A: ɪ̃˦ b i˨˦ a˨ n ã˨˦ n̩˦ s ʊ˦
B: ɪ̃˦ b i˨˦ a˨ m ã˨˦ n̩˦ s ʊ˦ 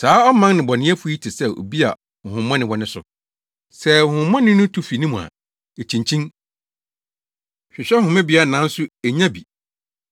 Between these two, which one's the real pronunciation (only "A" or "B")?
A